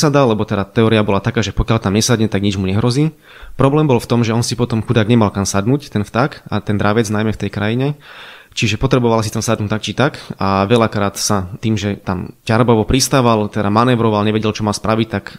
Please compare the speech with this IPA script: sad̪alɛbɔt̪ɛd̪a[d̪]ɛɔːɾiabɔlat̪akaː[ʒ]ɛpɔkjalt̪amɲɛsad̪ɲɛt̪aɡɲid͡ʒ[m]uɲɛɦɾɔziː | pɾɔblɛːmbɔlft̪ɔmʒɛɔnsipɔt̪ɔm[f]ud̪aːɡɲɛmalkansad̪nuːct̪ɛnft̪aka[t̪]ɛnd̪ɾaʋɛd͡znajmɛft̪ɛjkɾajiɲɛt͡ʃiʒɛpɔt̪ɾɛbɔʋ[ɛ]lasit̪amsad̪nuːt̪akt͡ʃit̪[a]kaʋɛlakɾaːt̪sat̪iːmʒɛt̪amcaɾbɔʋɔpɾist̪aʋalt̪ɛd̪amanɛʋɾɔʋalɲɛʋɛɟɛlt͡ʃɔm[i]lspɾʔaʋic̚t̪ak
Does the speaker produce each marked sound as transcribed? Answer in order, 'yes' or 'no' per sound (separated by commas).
no, yes, yes, no, yes, no, yes, no